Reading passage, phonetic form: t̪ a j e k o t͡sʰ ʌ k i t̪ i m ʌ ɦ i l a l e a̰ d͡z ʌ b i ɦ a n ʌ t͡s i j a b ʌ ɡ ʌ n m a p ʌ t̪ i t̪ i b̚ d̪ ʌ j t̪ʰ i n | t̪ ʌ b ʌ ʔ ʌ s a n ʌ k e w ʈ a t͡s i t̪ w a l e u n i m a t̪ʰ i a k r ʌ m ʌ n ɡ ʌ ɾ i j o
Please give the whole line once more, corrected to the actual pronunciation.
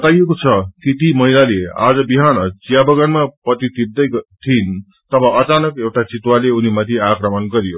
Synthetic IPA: t̪ a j e k o t͡sʰ ʌ k i t̪ i m ʌ ɦ i l a l e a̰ d͡z ʌ b i ɦ a n ʌ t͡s i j a b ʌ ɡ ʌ n m a p ʌ t̪ i t̪ i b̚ d̪ ʌ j t̪ʰ i n | t̪ ʌ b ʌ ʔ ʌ t͡s a n ʌ k e w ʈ a t͡s i t̪ w a l e u n i m a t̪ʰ i a k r ʌ m ʌ n ɡ ʌ ɾ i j o